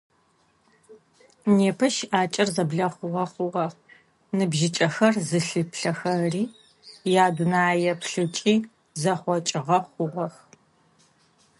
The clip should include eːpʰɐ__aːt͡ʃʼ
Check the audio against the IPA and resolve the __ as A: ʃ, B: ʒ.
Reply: A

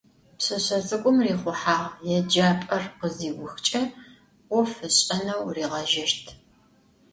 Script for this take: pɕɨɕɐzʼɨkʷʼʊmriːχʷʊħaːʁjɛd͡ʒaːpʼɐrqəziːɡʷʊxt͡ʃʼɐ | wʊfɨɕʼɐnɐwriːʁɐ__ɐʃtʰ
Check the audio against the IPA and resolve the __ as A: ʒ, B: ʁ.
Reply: A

